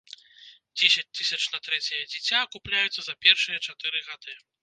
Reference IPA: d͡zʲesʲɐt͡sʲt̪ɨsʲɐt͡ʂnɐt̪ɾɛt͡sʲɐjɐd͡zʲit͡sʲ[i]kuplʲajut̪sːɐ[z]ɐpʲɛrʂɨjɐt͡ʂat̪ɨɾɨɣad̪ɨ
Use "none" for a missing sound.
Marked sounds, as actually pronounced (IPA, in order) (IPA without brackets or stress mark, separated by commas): a, z